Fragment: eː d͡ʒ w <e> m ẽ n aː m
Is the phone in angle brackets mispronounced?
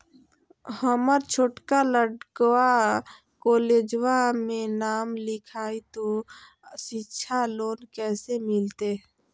yes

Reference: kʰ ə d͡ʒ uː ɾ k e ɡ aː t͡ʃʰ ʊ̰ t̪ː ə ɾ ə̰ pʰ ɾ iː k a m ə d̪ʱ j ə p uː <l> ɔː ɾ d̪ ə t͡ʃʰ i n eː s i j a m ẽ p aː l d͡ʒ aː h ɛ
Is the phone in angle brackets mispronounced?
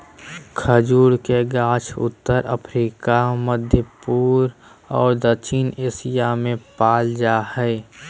yes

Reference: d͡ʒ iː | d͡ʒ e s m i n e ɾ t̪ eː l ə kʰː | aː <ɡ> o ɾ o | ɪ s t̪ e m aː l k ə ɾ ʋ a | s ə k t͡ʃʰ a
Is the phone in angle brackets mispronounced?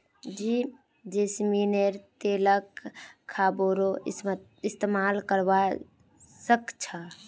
yes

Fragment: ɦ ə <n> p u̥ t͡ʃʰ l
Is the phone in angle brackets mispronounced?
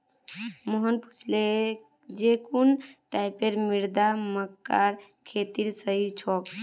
no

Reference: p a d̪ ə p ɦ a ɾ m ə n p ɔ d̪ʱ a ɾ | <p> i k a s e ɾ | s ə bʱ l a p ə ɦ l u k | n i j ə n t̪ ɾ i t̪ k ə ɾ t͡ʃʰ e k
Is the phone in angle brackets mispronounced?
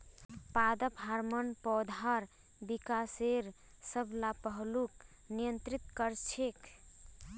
yes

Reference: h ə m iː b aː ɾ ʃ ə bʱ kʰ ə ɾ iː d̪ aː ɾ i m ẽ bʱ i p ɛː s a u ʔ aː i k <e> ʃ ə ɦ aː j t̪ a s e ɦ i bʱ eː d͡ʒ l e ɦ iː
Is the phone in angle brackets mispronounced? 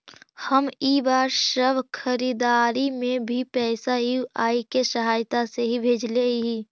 no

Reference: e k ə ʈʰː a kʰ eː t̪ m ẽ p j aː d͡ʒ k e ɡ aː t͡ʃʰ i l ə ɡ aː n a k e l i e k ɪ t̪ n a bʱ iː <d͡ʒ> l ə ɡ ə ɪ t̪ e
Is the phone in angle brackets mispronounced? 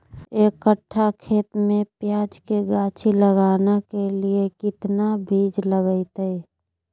no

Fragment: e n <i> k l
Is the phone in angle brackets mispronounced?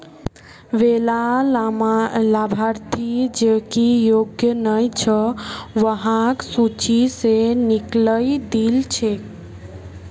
no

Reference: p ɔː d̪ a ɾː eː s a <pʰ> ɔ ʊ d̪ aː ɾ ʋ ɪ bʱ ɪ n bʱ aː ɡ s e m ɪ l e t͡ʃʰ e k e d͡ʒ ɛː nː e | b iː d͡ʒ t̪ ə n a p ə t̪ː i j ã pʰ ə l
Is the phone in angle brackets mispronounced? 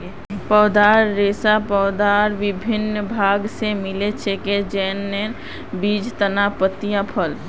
yes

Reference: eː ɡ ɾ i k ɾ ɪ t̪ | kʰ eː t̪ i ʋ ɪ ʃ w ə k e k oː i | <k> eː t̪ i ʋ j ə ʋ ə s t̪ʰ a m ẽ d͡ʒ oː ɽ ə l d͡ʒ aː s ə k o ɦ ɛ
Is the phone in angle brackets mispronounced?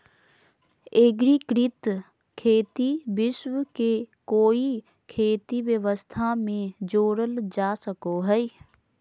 yes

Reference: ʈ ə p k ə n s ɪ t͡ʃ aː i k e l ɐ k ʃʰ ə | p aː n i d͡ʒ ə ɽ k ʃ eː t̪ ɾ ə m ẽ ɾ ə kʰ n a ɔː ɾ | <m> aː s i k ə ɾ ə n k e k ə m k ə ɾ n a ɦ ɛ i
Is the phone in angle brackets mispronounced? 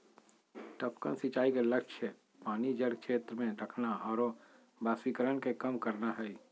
yes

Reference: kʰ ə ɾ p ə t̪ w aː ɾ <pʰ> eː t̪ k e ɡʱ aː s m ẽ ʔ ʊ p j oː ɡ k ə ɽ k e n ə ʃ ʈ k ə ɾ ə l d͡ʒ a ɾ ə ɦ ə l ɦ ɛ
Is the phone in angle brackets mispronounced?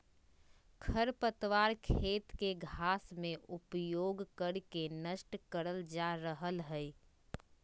yes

